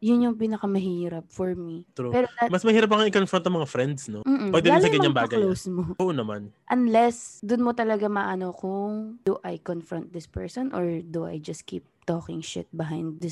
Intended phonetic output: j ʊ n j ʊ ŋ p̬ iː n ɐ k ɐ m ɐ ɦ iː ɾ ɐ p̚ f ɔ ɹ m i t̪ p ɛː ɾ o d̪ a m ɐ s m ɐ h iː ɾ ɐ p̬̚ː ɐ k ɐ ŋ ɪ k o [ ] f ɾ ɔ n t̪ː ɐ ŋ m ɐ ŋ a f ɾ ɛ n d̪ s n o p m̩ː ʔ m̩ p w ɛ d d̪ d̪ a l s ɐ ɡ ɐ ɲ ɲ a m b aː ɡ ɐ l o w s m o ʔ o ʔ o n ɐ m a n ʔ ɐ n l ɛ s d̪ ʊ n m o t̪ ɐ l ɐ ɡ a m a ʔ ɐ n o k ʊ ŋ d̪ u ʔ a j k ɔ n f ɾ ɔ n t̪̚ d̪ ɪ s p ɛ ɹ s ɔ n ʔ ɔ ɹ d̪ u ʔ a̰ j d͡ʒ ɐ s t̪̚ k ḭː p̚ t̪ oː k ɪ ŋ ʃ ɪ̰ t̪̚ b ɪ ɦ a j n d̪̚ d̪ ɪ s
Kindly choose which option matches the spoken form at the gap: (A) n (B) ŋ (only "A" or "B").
A